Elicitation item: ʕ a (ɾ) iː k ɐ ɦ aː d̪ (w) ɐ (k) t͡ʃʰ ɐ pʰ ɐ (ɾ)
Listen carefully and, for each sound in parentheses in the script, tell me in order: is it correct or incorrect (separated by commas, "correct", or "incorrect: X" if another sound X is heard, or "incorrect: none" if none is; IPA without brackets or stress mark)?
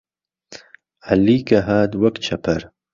incorrect: l, correct, correct, correct